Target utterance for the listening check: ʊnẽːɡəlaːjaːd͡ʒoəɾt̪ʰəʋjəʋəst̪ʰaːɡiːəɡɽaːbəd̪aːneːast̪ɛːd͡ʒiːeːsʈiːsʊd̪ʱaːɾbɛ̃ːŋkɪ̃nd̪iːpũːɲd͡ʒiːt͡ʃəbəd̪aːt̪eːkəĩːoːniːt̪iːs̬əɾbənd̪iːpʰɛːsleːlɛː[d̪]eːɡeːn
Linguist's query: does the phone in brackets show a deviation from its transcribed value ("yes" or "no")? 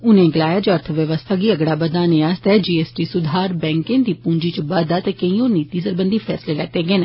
yes